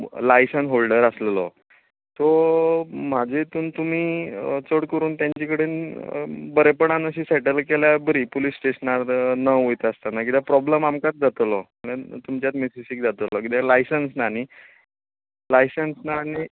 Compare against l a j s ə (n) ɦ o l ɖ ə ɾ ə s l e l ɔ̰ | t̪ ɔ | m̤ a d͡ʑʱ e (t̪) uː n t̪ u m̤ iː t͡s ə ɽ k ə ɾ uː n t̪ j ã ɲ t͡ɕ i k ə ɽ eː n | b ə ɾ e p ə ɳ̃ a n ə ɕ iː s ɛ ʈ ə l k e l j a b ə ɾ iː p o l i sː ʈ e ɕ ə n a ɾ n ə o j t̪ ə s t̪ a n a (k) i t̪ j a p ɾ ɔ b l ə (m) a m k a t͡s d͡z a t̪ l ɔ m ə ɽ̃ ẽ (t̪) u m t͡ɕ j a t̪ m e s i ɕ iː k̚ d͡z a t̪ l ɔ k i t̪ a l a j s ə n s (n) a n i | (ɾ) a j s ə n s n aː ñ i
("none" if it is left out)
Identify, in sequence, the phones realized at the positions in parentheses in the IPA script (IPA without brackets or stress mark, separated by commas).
n, t̪, k, m, t̪, n, l